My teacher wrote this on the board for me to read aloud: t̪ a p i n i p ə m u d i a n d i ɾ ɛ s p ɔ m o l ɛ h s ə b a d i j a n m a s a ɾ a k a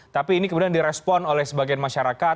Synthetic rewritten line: t̪ a p iː n i k ə m u d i a n d i ɾ ɛ s p ɔ n o l ɛ h s ə b a ɡ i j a n m a ʃ a ɾ a k a